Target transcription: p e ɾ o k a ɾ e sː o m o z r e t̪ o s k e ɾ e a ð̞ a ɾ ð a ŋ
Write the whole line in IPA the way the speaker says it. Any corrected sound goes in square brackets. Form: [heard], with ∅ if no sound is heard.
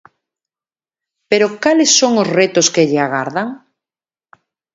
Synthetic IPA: p e ɾ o k a [l] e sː o [ŋ] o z r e t̪ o s k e [ʎ] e a [ɣ̞] a ɾ ð a ŋ